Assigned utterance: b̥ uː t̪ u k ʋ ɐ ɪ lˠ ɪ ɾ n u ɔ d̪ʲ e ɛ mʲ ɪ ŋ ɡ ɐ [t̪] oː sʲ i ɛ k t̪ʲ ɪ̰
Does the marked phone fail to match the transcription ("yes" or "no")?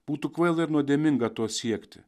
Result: no